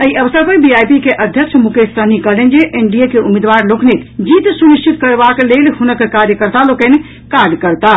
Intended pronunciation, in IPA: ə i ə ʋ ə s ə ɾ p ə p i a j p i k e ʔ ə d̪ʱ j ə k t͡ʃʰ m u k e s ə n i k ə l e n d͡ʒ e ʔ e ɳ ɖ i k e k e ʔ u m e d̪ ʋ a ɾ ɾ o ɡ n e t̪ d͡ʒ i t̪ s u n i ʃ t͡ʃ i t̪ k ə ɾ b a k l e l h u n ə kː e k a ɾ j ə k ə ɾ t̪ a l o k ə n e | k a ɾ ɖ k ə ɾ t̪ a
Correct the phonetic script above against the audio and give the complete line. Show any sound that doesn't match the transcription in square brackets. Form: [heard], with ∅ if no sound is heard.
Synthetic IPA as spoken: ə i ə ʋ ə s ə ɾ p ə [b] i a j p i k e ʔ ə d̪ʱ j ə k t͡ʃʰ m u k e s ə n i k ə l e n d͡ʒ e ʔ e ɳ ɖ i [∅] e k e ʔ u m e d̪ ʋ a ɾ [l] o [k] n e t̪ d͡ʒ i t̪ s u n i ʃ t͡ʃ i t̪ k ə ɾ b a k l e l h u n ə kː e k a ɾ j ə k ə ɾ t̪ a l o k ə n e | k a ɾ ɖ k ə ɾ t̪ a

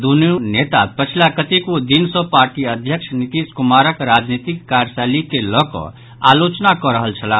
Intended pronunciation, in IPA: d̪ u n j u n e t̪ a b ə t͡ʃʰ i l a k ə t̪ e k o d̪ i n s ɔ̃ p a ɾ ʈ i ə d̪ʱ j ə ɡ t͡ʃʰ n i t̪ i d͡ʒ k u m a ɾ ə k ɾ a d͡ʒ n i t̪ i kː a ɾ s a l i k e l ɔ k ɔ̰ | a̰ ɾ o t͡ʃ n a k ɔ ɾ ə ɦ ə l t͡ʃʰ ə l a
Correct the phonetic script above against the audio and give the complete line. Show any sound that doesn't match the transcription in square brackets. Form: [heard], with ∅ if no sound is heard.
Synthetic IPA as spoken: d̪ u n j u n e t̪ a [p] ə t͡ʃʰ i l a k ə t̪ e k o d̪ i n s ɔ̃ p a ɾ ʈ i ə d̪ʱ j ə [k] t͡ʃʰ n i t̪ i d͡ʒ k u m a ɾ ə k ɾ a d͡ʒ n i t̪ i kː a ɾ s a l i k e l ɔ k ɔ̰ | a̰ [l] o t͡ʃ n a k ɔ ɾ ə ɦ ə l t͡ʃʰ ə l a

